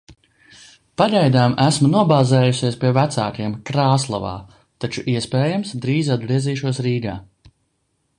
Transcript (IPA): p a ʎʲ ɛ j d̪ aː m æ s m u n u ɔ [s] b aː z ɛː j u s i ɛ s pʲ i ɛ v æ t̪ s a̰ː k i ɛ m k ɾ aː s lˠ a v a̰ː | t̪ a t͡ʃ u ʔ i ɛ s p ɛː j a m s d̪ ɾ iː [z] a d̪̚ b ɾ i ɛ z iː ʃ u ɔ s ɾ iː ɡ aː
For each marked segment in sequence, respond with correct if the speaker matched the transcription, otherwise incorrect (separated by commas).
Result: incorrect, correct